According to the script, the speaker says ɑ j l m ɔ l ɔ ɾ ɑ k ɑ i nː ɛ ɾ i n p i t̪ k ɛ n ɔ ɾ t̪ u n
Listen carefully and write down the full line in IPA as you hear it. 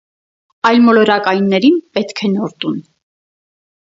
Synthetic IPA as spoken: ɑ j l m ɔ l ɔ ɾ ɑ k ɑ j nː ɛ ɾ i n p ɛ t̪ kʰ ɛ n ɔ ɾ t̪ u n